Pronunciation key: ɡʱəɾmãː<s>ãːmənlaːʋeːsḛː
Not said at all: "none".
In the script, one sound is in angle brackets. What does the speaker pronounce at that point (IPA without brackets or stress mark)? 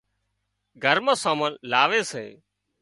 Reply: s